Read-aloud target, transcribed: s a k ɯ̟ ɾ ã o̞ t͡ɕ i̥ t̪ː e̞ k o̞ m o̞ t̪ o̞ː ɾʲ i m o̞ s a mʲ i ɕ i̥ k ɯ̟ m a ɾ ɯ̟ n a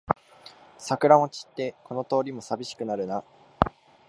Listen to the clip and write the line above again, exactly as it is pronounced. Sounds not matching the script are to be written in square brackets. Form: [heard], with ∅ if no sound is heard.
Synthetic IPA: s a k ɯ̟ ɾ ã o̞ t͡ɕ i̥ t̪ː e̞ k o̞ [n] o̞ t̪ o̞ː ɾʲ i m o̞ s a [bʲ] i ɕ i̥ k ɯ̟ [n] a ɾ ɯ̟ n a